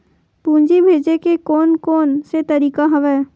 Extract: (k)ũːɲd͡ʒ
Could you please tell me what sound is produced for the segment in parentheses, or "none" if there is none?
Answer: p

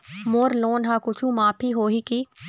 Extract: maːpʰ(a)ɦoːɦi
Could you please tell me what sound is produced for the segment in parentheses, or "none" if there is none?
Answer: i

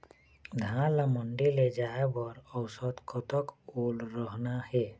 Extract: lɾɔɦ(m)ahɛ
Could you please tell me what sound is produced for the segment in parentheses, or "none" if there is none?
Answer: n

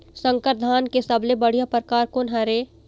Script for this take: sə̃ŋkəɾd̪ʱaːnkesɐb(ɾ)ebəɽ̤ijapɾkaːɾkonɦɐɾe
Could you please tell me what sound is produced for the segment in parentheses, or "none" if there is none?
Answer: l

